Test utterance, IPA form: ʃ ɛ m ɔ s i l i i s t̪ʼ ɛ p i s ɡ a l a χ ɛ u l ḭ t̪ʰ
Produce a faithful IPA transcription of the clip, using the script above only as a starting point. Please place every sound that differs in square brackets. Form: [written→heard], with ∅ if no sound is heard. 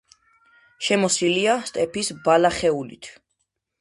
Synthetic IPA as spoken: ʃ ɛ m ɔ s i l i [i→a] s t̪ʼ ɛ p i s [ɡ→b] a l a χ ɛ u l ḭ t̪ʰ